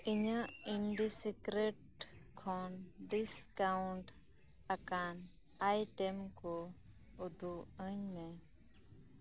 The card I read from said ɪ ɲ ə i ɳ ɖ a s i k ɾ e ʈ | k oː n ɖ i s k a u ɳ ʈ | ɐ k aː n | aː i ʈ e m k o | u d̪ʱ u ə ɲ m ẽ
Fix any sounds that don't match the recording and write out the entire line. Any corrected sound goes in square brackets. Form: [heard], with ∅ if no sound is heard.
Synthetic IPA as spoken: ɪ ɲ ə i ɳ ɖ [i] s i k ɾ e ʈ | [kʰ] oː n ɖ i s k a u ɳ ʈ | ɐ k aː n | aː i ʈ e m k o | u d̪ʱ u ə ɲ m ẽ